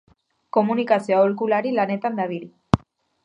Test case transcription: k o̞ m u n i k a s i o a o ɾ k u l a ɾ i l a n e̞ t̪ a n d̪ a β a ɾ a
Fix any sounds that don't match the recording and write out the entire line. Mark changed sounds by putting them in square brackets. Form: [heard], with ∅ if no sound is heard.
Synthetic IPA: k o̞ m u n i k a s i o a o [l] k u l a ɾ i l a n e̞ t̪ a n d̪ a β [i] ɾ [i]

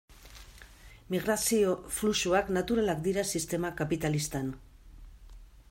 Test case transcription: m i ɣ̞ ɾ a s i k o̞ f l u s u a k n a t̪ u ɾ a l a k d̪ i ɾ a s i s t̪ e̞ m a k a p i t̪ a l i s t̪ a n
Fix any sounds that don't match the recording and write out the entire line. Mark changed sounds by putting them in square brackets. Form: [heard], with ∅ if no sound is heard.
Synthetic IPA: m i ɣ̞ ɾ a s i [∅] o̞ f l u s u a k n a t̪ u ɾ a l a k d̪ i ɾ a s i s t̪ e̞ m a k a p i t̪ a l i s t̪ a n

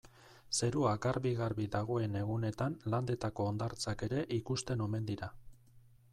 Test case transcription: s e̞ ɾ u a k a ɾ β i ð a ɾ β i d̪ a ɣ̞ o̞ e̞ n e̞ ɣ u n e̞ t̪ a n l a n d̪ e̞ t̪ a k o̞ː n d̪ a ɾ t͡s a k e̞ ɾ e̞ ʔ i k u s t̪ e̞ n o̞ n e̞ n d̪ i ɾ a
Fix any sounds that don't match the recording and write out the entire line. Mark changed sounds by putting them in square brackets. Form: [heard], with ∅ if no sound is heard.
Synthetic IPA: s e̞ ɾ u a k a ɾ β i [ɣ] a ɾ β i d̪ a ɣ̞ o̞ e̞ n e̞ ɣ u n e̞ t̪ a n l a n d̪ e̞ t̪ a k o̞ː n d̪ a ɾ t͡s a k e̞ ɾ e̞ ʔ i k u s t̪ e̞ n o̞ [m] e̞ n d̪ i ɾ a

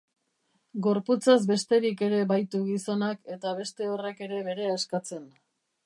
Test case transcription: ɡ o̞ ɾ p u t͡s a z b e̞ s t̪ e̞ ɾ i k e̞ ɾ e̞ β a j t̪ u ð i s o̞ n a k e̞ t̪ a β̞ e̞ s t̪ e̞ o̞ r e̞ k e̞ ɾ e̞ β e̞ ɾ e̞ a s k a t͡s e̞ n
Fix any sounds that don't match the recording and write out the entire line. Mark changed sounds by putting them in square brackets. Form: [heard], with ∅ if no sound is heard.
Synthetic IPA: ɡ o̞ ɾ p u t͡s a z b e̞ s t̪ e̞ ɾ i k e̞ ɾ e̞ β a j t̪ u [ɣ] i s o̞ n a k e̞ t̪ a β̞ e̞ s t̪ e̞ o̞ r e̞ k e̞ ɾ e̞ β e̞ ɾ e̞ a s k a t͡s e̞ n

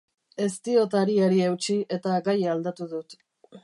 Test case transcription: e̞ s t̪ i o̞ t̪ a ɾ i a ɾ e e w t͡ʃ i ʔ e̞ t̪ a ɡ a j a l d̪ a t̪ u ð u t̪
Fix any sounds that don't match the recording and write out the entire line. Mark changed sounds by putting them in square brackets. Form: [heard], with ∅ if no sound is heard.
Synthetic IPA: e̞ s t̪ i o̞ t̪ a ɾ i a ɾ [i] e w t͡ʃ i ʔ e̞ t̪ a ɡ a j a l d̪ a t̪ u ð u t̪

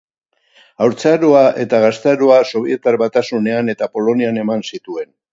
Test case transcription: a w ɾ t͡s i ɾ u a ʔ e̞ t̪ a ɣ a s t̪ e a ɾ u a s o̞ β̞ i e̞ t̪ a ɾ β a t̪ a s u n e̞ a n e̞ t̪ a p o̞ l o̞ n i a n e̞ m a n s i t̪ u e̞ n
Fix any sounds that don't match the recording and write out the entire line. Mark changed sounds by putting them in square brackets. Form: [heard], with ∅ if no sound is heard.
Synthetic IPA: a w ɾ t͡s [a] ɾ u a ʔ e̞ t̪ a ɣ a s t̪ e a ɾ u a s o̞ β̞ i e̞ t̪ a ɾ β a t̪ a s u n e̞ a n e̞ t̪ a p o̞ l o̞ n i a n e̞ m a n s i t̪ u e̞ n

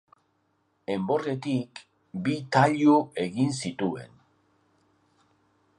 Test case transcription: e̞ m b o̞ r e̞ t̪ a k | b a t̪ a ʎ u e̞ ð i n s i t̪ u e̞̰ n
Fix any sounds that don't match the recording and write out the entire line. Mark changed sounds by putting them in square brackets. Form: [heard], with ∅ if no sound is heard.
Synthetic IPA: e̞ m b o̞ r e̞ t̪ [i] k | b [i] t̪ a ʎ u e̞ [ɣ] i n s i t̪ u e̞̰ n

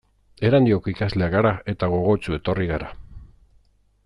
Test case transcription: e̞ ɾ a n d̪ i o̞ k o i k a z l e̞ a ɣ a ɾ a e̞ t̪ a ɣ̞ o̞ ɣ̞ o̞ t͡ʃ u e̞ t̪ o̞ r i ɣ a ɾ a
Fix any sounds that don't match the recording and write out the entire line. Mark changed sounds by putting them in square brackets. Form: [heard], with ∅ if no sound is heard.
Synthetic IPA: e̞ ɾ a n d̪ i o̞ k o i k a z l e̞ a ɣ a ɾ a e̞ t̪ a ɣ̞ o̞ ɣ̞ o̞ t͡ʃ u e̞ t̪ o̞ r i ɣ a ɾ a

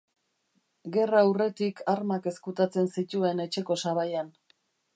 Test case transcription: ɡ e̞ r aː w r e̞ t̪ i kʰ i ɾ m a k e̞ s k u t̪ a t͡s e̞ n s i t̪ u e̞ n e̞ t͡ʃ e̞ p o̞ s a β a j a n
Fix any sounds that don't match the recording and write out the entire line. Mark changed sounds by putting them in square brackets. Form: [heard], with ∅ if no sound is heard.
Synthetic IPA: ɡ e̞ r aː w r e̞ t̪ i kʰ [a] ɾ m a k e̞ s k u t̪ a t͡s e̞ n s i t̪ u e̞ n e̞ t͡ʃ e̞ [k] o̞ s a β a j a n

